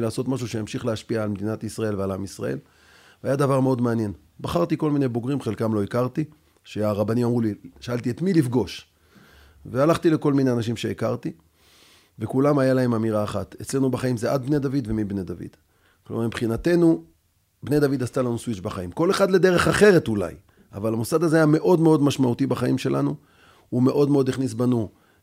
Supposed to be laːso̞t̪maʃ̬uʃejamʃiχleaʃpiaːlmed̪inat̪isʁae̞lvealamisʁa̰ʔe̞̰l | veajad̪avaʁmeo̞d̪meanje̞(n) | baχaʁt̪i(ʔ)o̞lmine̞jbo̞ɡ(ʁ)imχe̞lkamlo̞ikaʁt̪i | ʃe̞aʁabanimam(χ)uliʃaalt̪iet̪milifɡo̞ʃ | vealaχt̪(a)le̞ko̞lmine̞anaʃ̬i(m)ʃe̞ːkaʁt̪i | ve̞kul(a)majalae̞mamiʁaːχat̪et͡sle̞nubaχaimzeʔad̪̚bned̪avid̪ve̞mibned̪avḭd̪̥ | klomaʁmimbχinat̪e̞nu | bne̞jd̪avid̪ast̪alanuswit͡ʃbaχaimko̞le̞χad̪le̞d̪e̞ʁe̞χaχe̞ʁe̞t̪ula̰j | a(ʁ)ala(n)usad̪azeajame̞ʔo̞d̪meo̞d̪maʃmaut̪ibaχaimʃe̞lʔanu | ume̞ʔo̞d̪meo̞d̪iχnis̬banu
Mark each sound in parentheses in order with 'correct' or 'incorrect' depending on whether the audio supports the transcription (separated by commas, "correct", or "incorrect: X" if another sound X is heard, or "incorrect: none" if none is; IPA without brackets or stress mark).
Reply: correct, incorrect: k, correct, incorrect: ʁ, incorrect: i, correct, correct, incorrect: v, incorrect: m